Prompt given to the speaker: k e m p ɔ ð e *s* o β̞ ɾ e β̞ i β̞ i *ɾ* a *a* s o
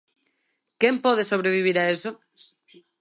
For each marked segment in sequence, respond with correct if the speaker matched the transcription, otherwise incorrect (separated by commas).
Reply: correct, correct, incorrect